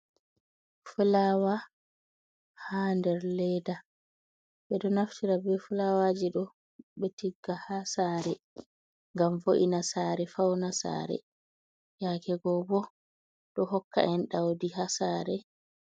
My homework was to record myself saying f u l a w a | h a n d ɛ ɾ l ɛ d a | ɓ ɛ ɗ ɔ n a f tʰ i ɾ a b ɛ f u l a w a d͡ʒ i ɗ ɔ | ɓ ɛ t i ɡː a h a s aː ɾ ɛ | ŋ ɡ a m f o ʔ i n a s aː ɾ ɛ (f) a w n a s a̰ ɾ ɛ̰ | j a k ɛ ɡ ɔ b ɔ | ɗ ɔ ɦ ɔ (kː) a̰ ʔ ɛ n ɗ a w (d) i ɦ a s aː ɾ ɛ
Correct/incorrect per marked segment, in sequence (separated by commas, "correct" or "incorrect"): correct, correct, correct